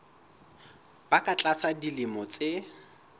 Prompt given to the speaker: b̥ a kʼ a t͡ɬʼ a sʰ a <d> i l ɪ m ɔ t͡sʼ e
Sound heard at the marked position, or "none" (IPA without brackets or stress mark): d